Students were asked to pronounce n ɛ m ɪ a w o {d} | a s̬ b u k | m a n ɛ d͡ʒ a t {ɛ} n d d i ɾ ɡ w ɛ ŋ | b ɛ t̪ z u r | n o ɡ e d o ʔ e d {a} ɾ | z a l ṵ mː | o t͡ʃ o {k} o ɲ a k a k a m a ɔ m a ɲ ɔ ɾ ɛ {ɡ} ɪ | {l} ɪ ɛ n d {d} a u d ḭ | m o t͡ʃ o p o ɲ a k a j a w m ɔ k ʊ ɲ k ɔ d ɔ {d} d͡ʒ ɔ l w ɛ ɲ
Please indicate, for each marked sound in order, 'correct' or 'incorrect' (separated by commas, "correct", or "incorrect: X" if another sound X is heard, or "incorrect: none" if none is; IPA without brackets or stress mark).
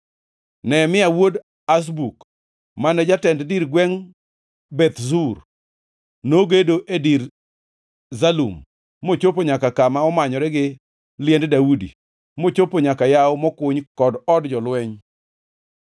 correct, correct, incorrect: i, incorrect: p, correct, correct, correct, correct